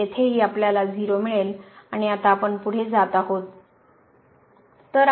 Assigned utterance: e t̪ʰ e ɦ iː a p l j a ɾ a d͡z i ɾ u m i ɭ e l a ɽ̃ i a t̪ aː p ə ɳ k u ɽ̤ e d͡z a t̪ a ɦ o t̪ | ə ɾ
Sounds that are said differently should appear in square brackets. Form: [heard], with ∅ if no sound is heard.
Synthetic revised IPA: e t̪ʰ e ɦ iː a p l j a [l] a d͡z i ɾ [o] m i ɭ e l a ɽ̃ i a t̪ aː p ə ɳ [p] u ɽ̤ e d͡z a t̪ a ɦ o t̪ | ə ɾ